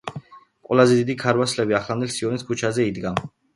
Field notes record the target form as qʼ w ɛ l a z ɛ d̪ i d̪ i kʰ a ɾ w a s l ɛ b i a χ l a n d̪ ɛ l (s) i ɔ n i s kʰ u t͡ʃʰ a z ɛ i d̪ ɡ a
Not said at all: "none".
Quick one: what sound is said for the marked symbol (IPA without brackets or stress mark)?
s